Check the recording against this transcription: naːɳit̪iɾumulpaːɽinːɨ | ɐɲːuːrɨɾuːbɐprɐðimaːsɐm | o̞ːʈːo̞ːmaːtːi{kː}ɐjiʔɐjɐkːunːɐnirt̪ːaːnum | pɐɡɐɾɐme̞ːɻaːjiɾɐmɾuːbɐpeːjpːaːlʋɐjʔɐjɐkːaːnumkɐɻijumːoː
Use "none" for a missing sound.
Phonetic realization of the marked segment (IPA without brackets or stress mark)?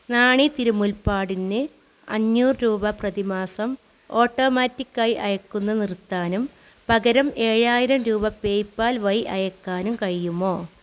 kː